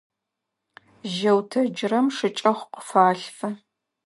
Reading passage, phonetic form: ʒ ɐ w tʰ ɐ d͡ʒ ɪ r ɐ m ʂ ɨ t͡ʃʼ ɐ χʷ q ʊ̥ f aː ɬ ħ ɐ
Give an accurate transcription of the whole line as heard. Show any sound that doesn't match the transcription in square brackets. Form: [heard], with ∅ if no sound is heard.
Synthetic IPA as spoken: ʒ ɐ w tʰ ɐ d͡ʒ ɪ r ɐ m ʂ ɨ t͡ʃʼ ɐ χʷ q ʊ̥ f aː ɬ [f] ɐ